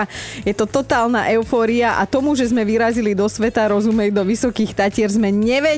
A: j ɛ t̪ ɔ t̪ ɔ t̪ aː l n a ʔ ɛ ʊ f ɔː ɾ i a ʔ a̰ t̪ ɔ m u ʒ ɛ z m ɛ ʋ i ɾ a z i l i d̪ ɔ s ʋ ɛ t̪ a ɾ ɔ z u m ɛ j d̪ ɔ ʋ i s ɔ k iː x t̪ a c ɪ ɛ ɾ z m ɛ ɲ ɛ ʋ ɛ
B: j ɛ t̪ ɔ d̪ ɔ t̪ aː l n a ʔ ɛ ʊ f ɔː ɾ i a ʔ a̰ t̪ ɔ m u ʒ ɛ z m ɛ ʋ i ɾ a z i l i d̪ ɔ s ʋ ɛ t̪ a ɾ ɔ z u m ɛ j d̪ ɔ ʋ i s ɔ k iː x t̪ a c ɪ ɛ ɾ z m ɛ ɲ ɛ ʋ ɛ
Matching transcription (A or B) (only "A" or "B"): A